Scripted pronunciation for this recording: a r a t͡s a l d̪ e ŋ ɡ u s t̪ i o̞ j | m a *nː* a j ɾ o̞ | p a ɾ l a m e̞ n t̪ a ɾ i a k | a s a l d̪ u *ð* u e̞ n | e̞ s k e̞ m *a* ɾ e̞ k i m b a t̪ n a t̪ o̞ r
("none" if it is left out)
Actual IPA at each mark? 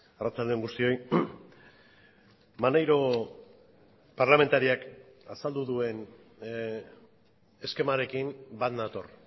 n, ð, a

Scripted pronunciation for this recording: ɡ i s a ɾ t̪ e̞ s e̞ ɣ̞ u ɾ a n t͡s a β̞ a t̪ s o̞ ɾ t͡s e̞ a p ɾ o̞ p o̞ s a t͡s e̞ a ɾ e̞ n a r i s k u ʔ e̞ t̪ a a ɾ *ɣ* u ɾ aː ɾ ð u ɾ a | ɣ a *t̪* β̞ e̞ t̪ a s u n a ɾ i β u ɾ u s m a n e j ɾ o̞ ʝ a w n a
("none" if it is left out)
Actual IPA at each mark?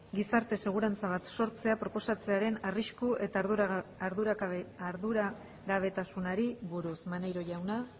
ð, none

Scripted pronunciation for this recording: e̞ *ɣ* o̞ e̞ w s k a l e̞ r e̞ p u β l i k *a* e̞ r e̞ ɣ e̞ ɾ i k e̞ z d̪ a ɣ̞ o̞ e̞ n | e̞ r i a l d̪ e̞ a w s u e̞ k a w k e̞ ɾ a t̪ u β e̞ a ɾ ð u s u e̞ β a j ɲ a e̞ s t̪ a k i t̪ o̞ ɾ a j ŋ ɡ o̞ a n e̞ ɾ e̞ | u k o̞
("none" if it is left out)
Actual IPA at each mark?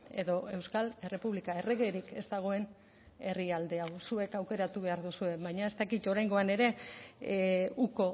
ð, a

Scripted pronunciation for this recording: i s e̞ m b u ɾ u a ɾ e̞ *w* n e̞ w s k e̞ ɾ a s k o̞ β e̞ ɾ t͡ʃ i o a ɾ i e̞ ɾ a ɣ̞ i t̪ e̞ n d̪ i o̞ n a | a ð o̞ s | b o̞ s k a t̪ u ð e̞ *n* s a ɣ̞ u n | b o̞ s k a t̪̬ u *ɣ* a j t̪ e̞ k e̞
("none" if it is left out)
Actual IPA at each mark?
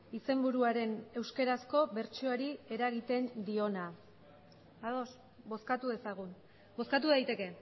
none, none, ð

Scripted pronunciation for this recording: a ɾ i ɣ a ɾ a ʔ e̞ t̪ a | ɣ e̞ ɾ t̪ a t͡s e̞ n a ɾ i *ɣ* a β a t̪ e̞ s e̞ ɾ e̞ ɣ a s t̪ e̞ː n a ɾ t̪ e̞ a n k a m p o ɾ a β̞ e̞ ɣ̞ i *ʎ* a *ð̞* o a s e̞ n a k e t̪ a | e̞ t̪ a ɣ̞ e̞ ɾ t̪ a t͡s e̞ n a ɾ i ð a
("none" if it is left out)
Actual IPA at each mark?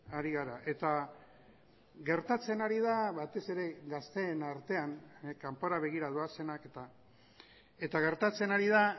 ð, ɾ, ð̞

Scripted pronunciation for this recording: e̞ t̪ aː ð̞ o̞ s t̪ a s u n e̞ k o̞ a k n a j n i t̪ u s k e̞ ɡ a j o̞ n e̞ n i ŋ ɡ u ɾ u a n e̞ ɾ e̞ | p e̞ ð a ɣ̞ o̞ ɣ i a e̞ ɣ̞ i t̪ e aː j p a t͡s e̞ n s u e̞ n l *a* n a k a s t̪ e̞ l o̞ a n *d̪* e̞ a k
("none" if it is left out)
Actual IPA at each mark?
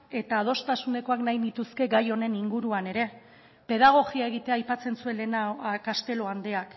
e, d̪

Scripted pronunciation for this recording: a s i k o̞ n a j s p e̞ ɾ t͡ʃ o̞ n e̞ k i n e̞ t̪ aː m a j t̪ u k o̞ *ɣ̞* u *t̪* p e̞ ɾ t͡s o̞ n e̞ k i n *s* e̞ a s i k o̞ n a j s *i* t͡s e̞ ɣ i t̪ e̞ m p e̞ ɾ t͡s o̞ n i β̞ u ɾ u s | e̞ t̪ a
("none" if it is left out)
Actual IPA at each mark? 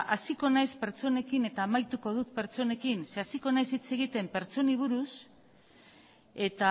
ð̞, t̪, s, i

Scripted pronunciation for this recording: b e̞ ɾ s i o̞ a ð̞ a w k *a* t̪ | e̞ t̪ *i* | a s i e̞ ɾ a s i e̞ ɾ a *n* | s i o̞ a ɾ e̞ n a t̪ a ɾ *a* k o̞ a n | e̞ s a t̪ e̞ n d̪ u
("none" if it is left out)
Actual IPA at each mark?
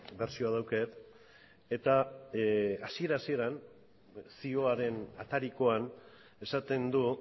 e, a, n, i

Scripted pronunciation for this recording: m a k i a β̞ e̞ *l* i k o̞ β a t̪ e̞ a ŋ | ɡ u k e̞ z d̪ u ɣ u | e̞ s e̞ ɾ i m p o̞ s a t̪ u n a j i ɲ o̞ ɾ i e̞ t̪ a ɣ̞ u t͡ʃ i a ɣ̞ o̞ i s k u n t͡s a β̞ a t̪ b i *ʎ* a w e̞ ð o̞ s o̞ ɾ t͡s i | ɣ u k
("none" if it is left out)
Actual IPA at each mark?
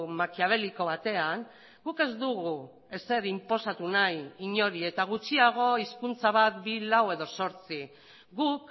l, l

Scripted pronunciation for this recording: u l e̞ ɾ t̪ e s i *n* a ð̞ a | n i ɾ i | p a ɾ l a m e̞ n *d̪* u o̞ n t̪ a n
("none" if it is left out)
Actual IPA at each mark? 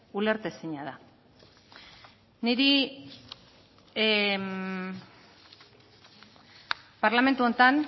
ɲ, t̪

